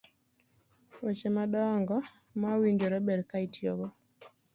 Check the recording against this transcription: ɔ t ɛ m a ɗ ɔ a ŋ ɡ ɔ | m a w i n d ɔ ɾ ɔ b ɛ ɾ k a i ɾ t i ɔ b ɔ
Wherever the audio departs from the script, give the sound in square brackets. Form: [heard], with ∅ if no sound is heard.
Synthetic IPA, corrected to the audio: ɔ [t͡ʃ] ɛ m a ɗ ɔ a ŋ ɡ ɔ | m a w i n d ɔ ɾ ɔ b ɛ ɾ k a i [∅] t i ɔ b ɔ